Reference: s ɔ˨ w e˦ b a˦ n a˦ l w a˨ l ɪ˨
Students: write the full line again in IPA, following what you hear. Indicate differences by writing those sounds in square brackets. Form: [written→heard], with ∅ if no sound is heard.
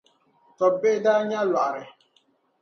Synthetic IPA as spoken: [s→t] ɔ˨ [w→b] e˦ [b→d] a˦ [n→ɲ] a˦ l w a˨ [l→ɾ] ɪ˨